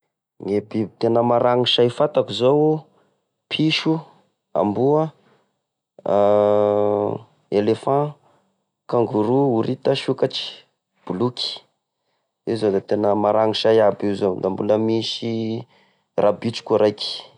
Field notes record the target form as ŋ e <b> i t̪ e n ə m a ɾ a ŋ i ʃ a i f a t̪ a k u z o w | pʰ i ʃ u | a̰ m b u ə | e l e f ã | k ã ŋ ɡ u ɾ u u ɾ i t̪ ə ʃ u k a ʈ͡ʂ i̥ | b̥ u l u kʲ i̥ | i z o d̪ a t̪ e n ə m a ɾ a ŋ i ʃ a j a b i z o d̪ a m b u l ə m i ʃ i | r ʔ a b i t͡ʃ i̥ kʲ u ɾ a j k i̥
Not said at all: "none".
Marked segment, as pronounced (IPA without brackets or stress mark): b